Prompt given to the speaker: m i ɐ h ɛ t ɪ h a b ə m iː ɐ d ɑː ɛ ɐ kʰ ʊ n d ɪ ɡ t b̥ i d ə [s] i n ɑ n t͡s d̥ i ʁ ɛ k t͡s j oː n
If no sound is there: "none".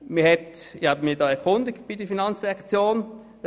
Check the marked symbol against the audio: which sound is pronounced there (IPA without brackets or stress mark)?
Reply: f